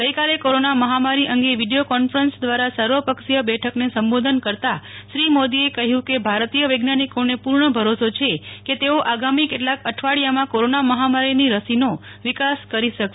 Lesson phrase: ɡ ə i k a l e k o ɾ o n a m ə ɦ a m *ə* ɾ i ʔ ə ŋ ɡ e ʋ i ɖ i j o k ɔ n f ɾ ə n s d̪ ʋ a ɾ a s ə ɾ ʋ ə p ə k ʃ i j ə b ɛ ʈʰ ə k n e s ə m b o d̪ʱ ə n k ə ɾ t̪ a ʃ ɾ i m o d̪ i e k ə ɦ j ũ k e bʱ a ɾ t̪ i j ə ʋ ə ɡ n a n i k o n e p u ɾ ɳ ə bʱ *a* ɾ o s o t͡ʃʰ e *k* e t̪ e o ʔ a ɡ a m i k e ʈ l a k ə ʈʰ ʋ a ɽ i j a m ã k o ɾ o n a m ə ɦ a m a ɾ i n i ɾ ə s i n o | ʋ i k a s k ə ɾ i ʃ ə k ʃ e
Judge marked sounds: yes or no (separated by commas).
no, no, yes